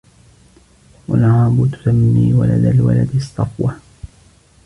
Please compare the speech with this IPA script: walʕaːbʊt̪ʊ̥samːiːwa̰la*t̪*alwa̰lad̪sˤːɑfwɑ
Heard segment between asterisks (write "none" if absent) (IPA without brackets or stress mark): d̪